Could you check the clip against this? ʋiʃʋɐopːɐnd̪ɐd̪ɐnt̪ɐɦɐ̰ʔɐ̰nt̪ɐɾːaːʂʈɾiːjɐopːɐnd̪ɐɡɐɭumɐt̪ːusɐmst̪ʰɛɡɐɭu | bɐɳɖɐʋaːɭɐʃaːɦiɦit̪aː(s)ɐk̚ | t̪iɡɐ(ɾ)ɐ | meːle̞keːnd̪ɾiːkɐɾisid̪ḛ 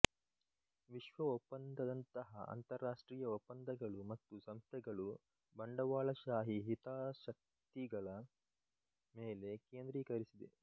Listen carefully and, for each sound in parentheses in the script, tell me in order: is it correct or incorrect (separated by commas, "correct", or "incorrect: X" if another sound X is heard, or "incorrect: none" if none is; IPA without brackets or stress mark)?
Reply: incorrect: ʃ, incorrect: ɭ